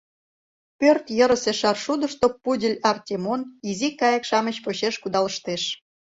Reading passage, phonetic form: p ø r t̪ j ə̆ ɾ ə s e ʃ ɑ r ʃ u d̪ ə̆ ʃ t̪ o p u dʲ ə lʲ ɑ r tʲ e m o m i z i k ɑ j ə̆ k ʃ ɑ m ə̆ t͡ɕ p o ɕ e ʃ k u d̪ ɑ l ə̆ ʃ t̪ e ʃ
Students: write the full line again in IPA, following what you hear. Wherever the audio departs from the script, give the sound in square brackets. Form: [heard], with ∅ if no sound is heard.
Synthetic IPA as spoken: p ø r t̪ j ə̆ ɾ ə s e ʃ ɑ r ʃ u d̪ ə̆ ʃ t̪ o p u dʲ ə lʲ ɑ r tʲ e m o [n] i z i k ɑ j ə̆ k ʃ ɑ m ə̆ t͡ɕ p o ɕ e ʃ k u d̪ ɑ l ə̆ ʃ t̪ e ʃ